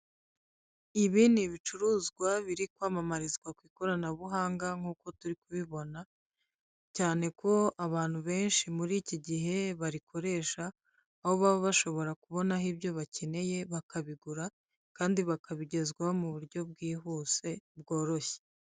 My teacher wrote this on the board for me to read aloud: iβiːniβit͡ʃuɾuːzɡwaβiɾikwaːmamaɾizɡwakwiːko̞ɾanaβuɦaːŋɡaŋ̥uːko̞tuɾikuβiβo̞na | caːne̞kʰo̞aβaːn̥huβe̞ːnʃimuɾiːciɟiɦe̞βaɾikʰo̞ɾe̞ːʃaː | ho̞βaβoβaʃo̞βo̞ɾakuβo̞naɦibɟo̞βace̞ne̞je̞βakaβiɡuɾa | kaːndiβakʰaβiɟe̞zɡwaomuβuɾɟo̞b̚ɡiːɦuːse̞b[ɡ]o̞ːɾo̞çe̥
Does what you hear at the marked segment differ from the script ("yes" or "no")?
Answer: no